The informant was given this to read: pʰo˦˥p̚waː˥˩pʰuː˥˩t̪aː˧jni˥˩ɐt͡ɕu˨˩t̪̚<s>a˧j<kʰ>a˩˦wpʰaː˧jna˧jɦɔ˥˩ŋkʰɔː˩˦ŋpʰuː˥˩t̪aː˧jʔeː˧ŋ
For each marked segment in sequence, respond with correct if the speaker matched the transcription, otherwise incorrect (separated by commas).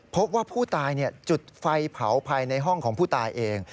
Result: incorrect, incorrect